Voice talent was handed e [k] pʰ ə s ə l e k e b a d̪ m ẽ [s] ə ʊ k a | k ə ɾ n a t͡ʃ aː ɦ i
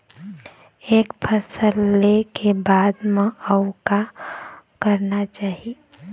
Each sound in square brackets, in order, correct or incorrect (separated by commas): correct, incorrect